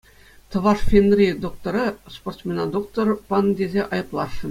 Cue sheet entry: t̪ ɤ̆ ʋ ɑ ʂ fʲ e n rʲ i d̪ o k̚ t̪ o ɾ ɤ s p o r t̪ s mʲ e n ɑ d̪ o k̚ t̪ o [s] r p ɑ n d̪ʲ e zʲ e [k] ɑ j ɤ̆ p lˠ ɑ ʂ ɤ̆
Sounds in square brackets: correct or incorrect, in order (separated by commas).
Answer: incorrect, incorrect